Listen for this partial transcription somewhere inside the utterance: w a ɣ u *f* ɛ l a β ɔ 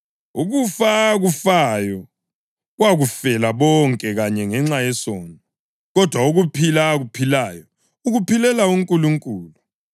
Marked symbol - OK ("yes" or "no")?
yes